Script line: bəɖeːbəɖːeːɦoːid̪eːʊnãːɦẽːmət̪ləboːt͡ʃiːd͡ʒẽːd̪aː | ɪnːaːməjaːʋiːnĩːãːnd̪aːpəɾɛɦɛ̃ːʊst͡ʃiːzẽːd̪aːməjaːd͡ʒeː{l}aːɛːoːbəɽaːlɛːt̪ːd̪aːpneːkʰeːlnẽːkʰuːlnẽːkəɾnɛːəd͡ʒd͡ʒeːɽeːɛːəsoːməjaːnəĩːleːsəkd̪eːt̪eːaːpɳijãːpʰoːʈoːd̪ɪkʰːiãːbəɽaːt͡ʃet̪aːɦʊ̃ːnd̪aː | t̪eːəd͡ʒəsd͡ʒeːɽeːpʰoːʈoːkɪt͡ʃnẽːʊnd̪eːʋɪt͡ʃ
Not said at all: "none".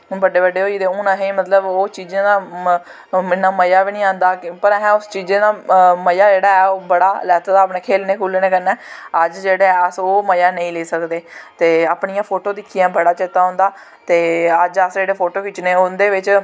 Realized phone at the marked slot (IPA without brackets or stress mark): ɽ